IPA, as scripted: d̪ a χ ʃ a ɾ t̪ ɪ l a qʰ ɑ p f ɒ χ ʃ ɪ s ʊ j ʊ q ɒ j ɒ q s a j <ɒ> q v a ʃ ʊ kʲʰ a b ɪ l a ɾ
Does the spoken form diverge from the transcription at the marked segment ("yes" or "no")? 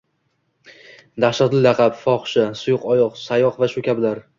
no